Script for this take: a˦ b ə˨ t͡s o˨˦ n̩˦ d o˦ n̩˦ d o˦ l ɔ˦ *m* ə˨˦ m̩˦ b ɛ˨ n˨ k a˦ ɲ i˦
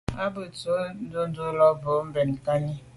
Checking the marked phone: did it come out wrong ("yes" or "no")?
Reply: yes